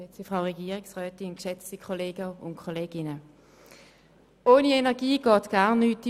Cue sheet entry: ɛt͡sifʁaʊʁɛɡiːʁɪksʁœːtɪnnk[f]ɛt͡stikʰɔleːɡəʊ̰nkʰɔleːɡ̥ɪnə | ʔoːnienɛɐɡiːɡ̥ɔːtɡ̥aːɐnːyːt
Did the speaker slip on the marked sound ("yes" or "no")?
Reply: yes